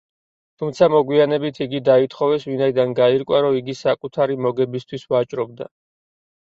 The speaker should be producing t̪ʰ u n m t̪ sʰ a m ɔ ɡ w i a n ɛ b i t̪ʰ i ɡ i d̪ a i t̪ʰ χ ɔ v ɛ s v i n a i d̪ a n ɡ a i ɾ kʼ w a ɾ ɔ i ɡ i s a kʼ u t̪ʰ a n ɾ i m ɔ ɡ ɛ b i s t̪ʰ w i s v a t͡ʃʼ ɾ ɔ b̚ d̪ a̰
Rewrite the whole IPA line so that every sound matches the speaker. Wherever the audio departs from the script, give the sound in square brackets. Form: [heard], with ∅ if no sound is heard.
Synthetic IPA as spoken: t̪ʰ u [∅] m t̪ sʰ a m ɔ ɡ w i a n ɛ b i t̪ʰ i ɡ i d̪ a i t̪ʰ χ ɔ v ɛ s v i n a i d̪ a n ɡ a i ɾ kʼ w a ɾ ɔ i ɡ i s a kʼ u t̪ʰ a [∅] ɾ i m ɔ ɡ ɛ b i s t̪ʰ w i s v a t͡ʃʼ ɾ ɔ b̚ d̪ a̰